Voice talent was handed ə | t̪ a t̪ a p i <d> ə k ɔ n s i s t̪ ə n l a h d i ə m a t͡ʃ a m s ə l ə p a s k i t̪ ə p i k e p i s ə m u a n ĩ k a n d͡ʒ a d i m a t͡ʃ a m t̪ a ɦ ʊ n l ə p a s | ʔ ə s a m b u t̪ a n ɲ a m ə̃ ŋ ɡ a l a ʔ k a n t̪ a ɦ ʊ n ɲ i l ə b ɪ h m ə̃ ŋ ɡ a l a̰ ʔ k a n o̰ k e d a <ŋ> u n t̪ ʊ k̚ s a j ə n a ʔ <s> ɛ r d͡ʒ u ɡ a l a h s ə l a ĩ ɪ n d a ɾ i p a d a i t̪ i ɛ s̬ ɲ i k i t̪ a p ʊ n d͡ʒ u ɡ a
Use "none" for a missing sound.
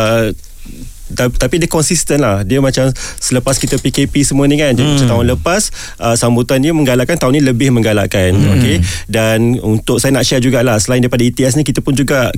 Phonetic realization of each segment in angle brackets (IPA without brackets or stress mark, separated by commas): d, n, ʃ